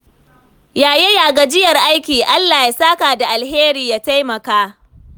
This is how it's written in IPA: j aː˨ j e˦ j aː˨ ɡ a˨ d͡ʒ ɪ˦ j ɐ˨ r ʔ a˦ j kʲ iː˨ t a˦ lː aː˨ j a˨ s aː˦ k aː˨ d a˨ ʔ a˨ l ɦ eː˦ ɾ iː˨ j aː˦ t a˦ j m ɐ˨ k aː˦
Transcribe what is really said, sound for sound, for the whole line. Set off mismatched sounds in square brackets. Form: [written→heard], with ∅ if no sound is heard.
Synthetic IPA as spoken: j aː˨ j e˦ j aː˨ ɡ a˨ d͡ʒ ɪ˦ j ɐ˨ r ʔ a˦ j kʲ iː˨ [t→ʔ] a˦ lː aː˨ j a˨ s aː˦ k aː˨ d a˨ ʔ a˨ l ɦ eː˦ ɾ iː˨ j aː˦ t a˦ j m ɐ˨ k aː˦